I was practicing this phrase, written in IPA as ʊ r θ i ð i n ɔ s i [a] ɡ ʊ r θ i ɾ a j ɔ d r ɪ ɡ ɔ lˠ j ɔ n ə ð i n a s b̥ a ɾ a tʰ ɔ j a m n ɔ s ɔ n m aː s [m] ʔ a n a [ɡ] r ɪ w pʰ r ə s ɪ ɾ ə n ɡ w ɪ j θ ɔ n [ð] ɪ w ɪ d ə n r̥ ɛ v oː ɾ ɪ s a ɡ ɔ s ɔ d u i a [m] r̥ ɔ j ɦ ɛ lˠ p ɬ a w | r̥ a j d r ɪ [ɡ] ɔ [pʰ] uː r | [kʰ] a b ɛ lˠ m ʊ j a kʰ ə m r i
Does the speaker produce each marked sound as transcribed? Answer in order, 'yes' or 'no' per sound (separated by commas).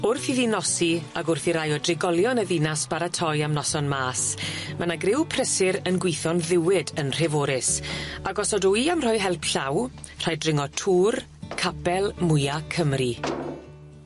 yes, yes, yes, yes, yes, no, no, yes